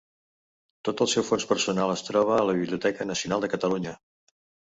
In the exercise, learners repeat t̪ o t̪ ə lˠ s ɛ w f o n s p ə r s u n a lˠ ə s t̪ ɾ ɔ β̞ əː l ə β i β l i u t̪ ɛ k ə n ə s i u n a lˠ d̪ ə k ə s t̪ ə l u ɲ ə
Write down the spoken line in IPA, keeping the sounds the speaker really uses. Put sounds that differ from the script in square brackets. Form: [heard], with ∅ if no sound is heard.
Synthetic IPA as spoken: t̪ o t̪ ə lˠ s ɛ w f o n s p ə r s u n a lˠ ə s t̪ ɾ ɔ β̞ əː l ə β i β l i u t̪ ɛ k ə n ə s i u n a lˠ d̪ ə k ə [∅] t̪ ə l u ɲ ə